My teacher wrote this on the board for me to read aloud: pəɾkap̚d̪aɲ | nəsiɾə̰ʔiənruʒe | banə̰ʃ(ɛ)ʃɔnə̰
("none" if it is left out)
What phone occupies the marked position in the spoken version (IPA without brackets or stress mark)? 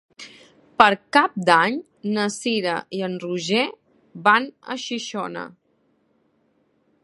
i